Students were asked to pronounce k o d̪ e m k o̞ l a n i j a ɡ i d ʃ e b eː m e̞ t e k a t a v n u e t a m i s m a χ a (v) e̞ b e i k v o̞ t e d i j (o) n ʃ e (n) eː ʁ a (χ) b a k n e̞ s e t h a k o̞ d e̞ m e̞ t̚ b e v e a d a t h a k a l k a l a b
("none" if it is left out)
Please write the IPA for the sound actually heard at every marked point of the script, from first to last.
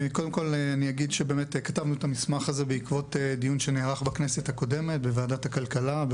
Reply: z, u, n, χ

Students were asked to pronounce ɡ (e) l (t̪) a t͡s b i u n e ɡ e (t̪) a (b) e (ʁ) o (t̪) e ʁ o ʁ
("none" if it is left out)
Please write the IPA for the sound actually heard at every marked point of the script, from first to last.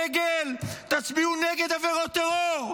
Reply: e, t̪, d̪, v, ʁ, t̪

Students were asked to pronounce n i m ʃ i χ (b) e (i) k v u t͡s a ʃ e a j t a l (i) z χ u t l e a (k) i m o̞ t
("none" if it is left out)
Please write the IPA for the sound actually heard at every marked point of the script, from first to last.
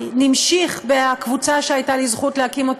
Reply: b, a, i, k

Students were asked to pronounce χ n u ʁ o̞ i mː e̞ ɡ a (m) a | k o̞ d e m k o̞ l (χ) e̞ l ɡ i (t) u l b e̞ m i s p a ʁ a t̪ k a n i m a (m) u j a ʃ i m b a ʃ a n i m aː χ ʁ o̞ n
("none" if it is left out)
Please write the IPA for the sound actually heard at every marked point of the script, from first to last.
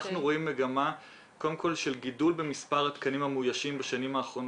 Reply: m, ʃ, d, m

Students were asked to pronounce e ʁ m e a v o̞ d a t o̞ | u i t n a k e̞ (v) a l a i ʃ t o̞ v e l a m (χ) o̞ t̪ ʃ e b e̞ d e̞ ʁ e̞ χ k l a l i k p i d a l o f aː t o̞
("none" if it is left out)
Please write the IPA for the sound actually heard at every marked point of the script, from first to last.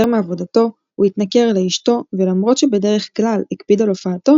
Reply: ʁ, ʁ

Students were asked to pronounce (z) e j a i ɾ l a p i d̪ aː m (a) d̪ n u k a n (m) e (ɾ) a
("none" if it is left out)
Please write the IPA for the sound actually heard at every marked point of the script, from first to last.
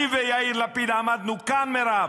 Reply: v, a, m, ɾ

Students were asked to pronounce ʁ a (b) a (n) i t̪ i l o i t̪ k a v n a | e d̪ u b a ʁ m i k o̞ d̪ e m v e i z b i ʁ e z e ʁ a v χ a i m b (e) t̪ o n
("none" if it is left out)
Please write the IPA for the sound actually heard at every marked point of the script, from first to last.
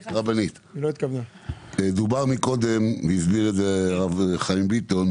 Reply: b, n, i

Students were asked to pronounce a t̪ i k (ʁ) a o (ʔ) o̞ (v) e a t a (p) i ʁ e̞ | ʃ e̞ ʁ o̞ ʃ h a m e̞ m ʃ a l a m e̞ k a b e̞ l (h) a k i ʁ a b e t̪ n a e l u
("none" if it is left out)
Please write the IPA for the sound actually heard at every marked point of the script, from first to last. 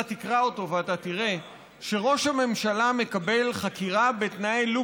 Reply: ʁ, t, v, t, χ

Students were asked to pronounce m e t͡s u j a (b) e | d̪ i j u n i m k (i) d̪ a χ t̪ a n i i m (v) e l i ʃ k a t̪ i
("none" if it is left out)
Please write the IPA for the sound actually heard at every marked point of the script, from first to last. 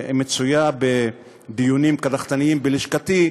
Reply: b, a, b

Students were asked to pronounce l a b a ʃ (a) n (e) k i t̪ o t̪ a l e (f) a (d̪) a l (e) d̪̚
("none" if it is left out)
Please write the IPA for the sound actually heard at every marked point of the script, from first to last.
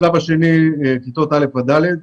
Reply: e, i, f, d̪, e

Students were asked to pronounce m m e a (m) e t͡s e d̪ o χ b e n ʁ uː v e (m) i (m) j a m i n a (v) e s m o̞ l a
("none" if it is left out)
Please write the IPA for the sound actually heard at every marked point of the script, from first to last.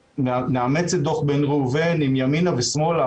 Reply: m, n, m, v

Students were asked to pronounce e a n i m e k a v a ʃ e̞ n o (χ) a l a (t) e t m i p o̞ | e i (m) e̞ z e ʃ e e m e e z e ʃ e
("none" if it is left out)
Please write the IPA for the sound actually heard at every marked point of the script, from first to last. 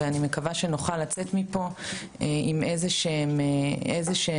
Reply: χ, t͡s, m

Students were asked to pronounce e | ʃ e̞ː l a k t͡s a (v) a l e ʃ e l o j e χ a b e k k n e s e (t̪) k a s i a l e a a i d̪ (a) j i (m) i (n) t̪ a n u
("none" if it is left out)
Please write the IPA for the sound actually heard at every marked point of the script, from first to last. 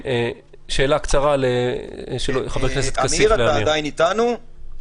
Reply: ʁ, t̪, a, n, none

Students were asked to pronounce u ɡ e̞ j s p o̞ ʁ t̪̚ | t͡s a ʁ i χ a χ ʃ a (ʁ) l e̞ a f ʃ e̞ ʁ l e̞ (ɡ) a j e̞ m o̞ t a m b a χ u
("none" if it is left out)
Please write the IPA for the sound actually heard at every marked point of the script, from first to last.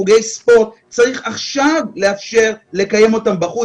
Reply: v, k

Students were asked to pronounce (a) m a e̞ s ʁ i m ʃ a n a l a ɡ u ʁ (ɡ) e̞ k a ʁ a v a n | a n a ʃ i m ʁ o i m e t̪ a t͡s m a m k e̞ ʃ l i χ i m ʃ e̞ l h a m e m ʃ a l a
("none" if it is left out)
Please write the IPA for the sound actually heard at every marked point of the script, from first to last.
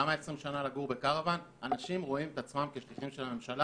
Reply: a, b

